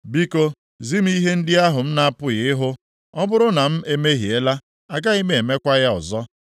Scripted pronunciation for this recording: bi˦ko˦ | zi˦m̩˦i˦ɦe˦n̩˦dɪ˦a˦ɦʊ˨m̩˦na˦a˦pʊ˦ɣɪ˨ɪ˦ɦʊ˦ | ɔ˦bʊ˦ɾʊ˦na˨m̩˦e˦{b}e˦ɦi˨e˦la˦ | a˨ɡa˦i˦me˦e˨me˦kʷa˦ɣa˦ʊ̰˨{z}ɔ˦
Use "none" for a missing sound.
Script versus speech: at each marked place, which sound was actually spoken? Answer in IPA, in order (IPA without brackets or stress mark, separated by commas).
m, z